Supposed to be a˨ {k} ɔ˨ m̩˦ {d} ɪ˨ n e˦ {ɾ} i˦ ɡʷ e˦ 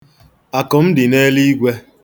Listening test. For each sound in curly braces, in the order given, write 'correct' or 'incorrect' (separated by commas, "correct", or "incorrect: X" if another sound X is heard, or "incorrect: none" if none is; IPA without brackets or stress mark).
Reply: correct, correct, incorrect: l